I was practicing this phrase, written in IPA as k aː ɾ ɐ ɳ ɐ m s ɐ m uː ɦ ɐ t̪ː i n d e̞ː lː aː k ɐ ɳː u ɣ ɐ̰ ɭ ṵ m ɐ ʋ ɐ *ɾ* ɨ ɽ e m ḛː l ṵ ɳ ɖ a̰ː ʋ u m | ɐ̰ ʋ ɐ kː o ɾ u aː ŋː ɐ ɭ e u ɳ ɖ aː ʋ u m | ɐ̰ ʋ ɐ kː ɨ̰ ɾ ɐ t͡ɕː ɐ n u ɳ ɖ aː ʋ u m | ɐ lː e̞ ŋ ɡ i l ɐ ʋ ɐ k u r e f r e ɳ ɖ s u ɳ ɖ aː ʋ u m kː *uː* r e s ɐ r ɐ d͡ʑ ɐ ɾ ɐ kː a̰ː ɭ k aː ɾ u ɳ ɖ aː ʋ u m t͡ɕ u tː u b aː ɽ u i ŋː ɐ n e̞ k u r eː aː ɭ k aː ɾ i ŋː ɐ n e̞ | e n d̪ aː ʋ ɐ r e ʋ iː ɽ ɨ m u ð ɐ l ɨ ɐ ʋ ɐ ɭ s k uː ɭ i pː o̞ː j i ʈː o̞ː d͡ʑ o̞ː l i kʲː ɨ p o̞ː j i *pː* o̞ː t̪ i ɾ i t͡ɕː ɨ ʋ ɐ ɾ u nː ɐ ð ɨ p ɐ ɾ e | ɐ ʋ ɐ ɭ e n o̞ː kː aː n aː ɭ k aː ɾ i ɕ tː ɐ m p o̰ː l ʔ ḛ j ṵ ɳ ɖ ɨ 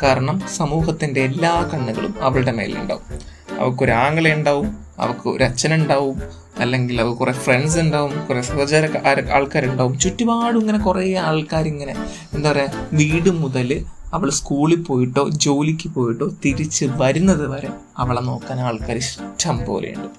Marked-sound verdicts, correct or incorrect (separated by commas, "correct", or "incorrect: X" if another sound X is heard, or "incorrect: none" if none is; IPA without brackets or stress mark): incorrect: ɭ, incorrect: u, incorrect: ʈː